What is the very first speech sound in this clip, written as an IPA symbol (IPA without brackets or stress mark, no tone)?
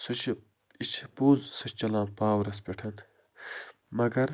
s